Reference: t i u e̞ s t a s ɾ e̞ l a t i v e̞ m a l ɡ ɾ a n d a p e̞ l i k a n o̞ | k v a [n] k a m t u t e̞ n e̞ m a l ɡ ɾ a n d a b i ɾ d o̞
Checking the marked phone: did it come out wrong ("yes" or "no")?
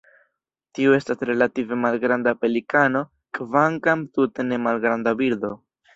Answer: yes